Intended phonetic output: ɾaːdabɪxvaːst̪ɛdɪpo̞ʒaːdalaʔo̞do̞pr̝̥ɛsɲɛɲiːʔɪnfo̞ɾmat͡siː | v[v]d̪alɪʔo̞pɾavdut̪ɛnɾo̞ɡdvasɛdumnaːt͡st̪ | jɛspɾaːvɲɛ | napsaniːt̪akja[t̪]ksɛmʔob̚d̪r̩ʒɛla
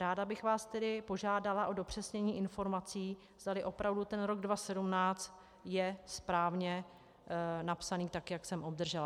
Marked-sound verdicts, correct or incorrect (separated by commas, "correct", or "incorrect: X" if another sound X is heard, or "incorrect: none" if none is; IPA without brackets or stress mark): incorrect: z, incorrect: none